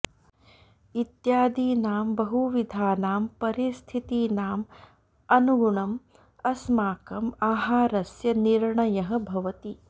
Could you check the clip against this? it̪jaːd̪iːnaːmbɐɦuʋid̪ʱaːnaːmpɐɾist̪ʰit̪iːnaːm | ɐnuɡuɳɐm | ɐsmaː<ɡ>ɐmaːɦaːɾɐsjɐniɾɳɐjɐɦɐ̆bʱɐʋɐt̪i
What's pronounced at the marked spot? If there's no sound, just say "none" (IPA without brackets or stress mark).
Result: k